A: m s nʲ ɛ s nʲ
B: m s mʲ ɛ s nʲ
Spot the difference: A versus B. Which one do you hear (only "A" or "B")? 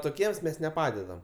B